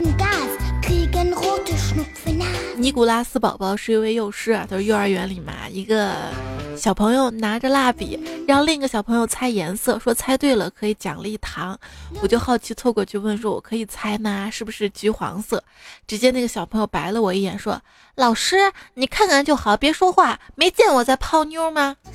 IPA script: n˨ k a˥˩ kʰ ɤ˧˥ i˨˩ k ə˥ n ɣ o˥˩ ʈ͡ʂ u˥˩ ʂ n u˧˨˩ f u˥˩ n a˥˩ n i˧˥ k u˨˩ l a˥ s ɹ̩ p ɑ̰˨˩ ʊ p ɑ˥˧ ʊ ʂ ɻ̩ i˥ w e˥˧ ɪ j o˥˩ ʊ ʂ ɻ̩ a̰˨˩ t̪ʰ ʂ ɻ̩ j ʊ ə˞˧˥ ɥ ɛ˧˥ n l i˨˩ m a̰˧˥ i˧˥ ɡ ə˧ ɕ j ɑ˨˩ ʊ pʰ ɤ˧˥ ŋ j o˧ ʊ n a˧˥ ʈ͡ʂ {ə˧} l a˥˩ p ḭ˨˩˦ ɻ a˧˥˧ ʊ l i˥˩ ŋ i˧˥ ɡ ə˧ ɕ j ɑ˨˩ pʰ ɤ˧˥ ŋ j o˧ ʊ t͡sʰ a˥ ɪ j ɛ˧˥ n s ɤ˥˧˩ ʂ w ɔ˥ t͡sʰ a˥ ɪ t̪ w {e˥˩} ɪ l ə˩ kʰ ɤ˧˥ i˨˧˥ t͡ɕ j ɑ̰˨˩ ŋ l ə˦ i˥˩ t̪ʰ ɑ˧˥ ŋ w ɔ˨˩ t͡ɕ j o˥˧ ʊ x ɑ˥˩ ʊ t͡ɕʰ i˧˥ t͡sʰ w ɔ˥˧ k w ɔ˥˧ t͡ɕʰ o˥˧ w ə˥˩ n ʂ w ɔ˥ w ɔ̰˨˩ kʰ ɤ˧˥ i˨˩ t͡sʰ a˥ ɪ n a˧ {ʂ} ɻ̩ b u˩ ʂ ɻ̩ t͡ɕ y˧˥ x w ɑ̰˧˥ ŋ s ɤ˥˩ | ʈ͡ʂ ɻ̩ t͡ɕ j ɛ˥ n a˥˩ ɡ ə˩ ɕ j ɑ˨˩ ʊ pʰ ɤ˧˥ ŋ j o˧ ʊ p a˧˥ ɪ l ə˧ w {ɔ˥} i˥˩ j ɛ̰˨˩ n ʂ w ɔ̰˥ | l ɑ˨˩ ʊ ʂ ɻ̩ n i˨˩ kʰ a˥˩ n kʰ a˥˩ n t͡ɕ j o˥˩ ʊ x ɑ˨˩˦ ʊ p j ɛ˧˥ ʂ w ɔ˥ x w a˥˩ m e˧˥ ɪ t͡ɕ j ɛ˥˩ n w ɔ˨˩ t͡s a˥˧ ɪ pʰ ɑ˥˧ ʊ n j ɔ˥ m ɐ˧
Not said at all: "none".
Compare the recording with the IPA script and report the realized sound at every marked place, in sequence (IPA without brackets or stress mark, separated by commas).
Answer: ə˧, e˥˩, ʂ, ɔ˨˩